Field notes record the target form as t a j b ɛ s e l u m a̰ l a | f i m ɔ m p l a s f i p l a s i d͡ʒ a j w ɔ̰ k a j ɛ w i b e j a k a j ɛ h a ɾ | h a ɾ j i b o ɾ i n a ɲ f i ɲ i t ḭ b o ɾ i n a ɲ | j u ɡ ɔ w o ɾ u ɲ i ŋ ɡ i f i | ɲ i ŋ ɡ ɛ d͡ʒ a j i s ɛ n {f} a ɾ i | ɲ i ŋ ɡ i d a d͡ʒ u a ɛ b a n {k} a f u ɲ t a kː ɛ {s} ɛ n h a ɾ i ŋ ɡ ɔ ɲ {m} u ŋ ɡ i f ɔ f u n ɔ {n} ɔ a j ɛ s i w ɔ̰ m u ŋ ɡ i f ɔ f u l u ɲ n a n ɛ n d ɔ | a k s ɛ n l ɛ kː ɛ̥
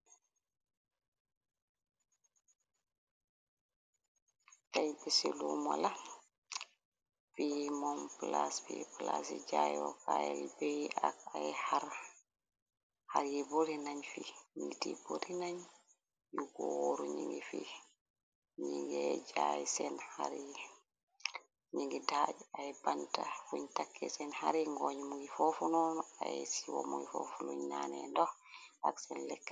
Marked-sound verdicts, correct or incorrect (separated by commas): incorrect, incorrect, correct, correct, correct